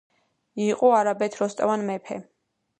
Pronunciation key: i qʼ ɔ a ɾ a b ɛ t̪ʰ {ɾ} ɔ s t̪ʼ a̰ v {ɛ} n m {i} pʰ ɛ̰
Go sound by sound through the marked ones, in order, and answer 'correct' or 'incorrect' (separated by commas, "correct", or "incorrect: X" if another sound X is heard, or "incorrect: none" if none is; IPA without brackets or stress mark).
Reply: correct, incorrect: a, incorrect: ɛ